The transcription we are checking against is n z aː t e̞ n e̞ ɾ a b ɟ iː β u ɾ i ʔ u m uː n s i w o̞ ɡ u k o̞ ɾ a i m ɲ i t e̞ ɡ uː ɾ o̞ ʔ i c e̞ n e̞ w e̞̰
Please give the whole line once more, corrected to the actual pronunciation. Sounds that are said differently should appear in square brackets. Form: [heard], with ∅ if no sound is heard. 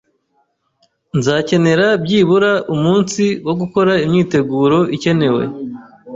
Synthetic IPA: n z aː [c] e̞ n e̞ ɾ a b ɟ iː β u ɾ [a] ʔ u m uː n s i w o̞ ɡ u k o̞ ɾ a i m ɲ [iː] t e̞ ɡ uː ɾ o̞ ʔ i c e̞ n e̞ w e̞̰